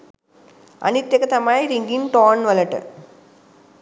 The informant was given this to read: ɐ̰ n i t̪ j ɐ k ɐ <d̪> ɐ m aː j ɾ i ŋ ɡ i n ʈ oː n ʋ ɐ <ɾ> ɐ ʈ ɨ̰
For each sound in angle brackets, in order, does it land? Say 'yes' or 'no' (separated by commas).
no, no